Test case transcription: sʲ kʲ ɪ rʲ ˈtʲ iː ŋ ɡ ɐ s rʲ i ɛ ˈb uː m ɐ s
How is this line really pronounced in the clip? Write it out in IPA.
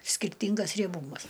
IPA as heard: sʲ kʲ ɪ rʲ ˈtʲ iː ŋ ɡ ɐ s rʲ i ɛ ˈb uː m ɐ s

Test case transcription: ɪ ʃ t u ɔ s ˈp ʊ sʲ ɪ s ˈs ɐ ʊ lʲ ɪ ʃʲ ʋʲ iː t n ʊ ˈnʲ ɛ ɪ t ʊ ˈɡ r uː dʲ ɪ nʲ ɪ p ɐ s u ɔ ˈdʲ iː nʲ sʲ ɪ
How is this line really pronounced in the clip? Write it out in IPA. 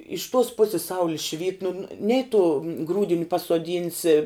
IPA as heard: ɪ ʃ t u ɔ s ˈp ʊ sʲ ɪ s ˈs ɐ ʊ lʲ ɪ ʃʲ ʋʲ iː t n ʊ ˈnʲ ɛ ɪ t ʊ ˈɡ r uː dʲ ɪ nʲ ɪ p ɐ s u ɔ ˈdʲ iː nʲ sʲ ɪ

